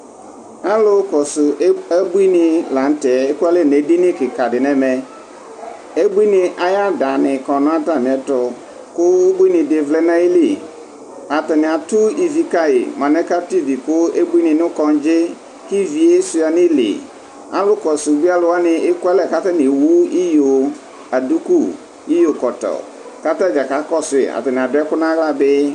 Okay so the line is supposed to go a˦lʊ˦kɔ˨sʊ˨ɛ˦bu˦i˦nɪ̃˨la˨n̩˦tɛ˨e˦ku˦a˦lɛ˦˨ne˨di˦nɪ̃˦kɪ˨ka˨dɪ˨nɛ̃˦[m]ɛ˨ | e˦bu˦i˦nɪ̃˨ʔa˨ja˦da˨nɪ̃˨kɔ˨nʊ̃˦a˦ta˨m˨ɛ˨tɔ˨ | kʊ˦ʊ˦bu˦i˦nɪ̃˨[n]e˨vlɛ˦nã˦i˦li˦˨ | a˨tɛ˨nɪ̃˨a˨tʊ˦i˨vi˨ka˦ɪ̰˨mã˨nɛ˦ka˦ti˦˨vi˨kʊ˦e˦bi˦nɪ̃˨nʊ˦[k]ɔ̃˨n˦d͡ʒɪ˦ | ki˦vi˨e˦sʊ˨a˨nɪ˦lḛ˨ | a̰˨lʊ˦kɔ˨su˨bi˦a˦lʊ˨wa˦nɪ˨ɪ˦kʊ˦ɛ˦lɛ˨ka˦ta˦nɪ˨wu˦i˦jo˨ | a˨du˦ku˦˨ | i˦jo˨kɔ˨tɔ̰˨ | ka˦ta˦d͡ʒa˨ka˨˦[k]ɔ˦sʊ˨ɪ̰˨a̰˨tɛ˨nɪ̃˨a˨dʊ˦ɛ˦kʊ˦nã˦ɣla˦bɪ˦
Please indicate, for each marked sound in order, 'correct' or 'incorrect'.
correct, incorrect, correct, correct

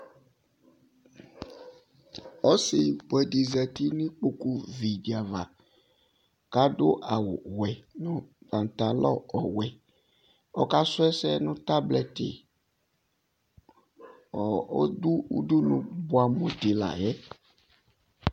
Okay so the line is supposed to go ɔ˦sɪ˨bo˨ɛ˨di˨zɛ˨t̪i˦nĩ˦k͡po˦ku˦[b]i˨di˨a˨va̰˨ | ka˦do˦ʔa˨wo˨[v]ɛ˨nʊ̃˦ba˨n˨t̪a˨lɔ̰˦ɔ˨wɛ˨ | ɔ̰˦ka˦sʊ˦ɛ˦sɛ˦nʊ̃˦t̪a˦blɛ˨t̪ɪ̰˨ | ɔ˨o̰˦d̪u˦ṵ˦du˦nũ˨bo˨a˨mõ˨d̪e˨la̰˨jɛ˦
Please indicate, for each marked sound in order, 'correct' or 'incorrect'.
incorrect, incorrect

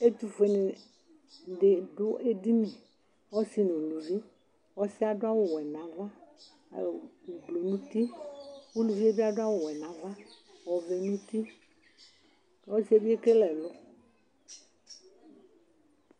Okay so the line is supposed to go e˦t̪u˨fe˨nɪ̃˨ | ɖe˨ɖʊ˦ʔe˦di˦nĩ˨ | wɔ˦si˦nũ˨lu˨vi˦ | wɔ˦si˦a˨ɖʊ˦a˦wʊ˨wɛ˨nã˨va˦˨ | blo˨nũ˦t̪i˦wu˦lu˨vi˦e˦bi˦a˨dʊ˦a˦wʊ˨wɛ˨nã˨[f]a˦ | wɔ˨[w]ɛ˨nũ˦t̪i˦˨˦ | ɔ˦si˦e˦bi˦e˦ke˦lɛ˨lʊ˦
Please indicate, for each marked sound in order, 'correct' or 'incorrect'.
incorrect, incorrect

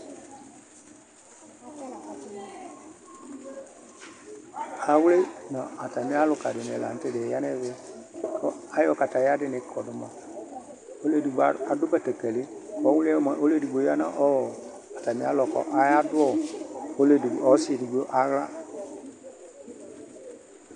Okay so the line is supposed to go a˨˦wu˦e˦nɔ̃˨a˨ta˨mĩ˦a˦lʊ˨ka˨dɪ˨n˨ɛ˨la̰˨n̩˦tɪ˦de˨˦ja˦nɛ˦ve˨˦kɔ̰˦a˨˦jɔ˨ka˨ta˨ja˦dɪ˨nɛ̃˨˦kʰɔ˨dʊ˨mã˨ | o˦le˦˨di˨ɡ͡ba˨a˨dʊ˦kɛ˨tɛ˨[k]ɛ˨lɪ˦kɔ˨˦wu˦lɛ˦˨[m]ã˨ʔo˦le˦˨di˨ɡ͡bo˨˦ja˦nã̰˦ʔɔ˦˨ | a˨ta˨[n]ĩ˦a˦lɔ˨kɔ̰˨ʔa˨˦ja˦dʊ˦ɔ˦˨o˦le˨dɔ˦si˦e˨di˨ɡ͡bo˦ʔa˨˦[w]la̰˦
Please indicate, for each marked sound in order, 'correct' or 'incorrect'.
correct, correct, incorrect, incorrect

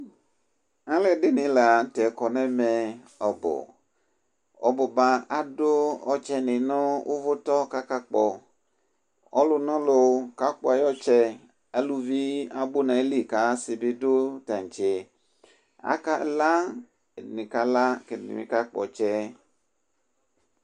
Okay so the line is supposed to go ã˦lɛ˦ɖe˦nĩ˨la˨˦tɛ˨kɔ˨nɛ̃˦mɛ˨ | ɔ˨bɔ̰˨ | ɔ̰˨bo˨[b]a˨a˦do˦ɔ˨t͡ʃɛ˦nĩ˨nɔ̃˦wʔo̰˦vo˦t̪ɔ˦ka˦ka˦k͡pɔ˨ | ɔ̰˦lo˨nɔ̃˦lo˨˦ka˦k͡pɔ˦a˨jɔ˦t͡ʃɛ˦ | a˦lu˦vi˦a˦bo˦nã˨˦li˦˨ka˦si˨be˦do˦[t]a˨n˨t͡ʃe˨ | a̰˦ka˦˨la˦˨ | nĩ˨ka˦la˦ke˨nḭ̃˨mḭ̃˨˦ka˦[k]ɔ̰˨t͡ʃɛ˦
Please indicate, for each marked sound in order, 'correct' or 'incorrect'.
correct, correct, incorrect

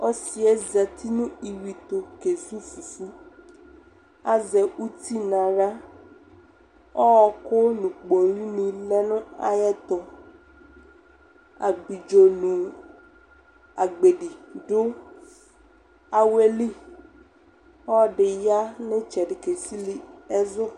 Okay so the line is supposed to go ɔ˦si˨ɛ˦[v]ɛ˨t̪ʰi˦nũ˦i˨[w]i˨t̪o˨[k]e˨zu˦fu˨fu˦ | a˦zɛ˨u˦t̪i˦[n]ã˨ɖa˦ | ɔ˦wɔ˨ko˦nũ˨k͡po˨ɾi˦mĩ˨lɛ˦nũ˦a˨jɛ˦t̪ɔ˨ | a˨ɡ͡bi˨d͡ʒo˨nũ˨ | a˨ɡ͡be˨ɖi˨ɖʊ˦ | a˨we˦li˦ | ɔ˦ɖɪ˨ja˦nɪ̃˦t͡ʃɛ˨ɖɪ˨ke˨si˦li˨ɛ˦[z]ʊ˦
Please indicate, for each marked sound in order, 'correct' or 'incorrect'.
incorrect, correct, correct, correct, correct

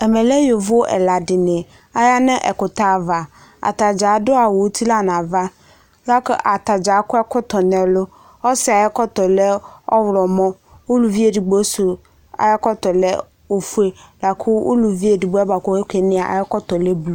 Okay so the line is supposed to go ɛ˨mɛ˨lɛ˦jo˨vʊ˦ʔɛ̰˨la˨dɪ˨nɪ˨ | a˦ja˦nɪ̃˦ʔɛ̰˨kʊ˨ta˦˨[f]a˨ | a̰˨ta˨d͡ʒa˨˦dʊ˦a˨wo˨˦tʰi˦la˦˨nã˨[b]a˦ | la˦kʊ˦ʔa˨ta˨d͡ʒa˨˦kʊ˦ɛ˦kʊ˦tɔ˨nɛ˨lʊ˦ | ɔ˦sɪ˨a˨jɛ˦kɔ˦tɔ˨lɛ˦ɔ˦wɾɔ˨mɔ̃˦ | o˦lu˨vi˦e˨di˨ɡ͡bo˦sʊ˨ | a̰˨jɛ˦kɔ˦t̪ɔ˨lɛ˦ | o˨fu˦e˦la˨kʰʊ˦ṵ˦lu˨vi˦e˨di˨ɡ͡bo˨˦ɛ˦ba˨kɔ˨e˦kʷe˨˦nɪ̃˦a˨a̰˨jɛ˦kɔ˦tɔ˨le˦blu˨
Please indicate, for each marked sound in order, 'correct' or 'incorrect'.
incorrect, incorrect

